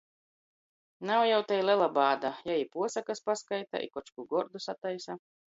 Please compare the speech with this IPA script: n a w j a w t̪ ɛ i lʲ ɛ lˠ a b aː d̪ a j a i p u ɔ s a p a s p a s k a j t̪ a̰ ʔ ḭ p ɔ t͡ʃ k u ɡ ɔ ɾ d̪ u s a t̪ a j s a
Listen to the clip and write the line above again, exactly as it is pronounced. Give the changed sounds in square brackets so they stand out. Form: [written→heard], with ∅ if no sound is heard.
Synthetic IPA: n a w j a w t̪ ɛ [i→j] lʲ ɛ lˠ a b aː d̪ a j a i p u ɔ s a [p→k] a s p a s k a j t̪ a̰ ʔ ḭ [p→k] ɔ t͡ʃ k u ɡ ɔ ɾ d̪ u s a t̪ a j s a